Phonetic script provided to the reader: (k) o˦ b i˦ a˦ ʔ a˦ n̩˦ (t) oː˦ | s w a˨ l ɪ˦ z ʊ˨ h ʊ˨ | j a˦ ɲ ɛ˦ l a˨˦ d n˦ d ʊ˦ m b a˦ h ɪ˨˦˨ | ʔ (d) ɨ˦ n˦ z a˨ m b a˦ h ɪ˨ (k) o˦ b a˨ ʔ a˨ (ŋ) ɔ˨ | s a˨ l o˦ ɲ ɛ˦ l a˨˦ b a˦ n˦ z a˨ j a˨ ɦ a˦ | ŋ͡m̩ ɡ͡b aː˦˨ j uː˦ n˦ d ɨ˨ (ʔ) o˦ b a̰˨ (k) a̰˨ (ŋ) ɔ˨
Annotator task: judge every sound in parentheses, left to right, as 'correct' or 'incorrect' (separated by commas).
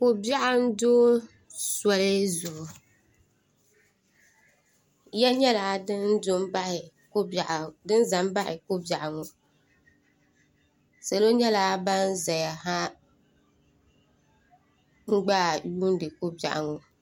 correct, incorrect, correct, correct, correct, incorrect, incorrect, correct